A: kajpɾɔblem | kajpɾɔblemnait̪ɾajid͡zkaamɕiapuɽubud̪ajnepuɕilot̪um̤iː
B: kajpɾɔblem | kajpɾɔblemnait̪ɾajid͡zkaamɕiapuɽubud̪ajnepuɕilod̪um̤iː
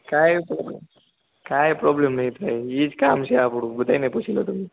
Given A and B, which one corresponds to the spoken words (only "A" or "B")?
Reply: A